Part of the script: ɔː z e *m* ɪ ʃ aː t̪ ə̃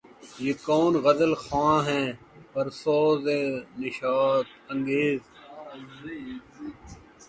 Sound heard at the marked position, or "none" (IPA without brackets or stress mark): n